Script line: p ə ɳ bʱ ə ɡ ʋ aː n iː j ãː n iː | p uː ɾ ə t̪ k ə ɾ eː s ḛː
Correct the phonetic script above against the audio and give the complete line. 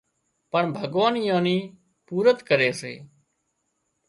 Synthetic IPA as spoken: p ə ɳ bʱ ə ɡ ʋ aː n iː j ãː n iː | p uː ɾ ə t̪ k ə ɾ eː s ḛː